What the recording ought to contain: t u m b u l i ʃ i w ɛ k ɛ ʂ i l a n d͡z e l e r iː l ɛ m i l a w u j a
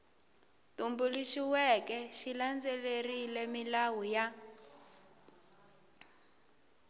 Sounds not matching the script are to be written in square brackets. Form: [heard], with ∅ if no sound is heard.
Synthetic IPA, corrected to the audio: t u m b u l i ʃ i w ɛ k ɛ [ʃ] i l a n d͡z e l e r [i] l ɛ m i l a w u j a